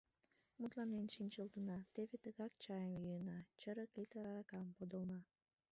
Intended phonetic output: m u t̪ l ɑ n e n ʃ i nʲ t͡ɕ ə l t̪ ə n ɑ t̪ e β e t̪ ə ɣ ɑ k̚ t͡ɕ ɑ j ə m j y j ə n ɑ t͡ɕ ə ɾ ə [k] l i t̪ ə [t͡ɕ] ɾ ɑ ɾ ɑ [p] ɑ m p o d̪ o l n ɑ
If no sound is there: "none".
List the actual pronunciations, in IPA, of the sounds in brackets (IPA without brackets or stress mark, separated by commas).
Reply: k, none, k